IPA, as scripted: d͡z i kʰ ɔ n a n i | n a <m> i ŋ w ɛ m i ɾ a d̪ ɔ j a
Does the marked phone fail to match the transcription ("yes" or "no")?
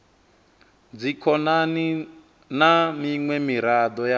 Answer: no